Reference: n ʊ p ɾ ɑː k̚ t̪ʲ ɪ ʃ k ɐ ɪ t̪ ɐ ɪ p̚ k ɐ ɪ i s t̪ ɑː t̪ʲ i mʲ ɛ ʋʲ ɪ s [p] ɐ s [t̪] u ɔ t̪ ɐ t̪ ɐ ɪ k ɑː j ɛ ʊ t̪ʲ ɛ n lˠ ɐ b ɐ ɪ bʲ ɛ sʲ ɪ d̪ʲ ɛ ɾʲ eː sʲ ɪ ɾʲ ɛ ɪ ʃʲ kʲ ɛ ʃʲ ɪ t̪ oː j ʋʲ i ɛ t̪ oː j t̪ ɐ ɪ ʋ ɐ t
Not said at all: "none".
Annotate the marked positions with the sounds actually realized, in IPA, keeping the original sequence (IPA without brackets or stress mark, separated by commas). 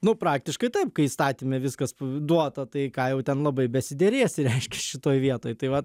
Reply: k, d̪